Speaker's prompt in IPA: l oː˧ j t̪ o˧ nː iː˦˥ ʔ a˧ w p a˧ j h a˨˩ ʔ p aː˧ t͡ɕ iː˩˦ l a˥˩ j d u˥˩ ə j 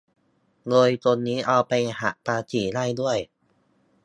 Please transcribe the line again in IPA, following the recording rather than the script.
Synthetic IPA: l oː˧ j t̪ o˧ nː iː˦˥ ʔ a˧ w p a˧ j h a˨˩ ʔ p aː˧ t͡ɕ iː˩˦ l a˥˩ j d u˥˩ ə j